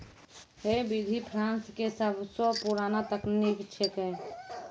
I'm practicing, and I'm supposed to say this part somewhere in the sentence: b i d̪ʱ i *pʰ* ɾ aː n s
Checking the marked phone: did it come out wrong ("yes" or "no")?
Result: no